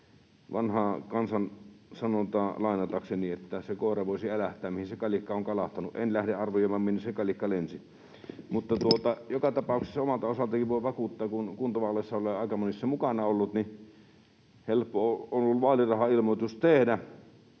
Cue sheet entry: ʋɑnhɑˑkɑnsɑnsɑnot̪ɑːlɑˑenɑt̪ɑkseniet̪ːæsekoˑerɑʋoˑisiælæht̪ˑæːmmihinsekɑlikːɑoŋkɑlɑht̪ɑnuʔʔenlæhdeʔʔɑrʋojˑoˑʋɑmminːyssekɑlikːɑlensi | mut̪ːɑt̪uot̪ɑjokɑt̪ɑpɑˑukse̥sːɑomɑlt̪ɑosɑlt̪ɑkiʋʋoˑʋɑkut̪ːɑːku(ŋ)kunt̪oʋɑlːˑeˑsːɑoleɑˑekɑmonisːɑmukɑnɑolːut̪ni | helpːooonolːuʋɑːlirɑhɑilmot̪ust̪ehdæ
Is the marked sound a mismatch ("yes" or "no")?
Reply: yes